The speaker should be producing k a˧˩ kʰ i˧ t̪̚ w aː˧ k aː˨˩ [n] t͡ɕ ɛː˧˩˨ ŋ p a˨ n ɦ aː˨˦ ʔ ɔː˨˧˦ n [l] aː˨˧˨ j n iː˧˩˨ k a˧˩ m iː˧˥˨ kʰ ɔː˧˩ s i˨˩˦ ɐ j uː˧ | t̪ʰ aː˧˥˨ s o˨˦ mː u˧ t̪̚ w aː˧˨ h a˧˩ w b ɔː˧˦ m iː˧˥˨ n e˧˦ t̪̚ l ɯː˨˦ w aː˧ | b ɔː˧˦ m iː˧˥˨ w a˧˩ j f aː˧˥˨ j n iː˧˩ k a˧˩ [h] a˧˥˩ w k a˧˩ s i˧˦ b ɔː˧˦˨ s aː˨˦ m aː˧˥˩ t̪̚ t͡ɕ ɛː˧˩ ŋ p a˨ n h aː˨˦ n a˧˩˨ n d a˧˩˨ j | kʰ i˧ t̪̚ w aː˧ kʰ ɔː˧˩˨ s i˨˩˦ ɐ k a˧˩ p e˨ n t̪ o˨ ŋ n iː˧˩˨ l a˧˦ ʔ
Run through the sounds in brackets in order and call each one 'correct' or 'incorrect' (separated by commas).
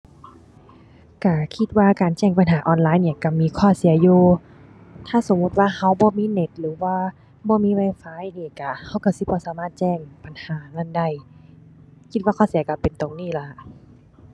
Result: correct, correct, correct